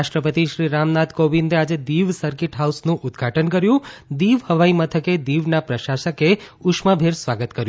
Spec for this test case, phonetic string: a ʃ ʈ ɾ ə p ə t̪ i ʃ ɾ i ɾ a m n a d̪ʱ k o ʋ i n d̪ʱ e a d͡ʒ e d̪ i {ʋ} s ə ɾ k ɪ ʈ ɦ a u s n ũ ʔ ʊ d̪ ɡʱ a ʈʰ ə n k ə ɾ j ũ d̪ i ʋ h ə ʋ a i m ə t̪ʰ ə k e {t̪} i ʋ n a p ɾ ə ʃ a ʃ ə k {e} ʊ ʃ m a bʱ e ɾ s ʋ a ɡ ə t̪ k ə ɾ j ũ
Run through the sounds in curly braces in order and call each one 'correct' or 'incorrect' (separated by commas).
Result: correct, incorrect, correct